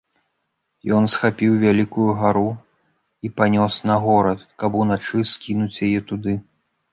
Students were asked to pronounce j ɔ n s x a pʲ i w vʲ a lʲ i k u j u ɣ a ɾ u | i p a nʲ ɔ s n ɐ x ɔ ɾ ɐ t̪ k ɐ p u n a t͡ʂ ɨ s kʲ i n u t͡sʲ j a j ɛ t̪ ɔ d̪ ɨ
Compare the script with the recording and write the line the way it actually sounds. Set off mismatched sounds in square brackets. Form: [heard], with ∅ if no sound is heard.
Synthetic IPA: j ɔ n s x a pʲ i w vʲ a lʲ i k u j u ɣ a ɾ u | i p a nʲ ɔ s n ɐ [ɣ] ɔ ɾ ɐ t̪ k ɐ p u n a t͡ʂ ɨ s kʲ i n u t͡sʲ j a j ɛ t̪ [u] d̪ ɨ